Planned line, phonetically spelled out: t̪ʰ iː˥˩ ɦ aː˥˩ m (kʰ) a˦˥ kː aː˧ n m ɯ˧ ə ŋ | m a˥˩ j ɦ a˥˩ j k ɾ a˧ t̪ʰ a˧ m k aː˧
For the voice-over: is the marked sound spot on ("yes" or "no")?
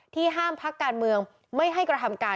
no